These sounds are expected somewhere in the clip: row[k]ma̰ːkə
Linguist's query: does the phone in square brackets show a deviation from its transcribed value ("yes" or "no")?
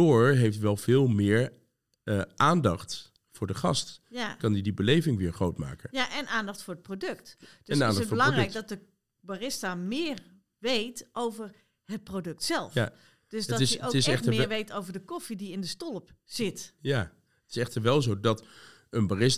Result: yes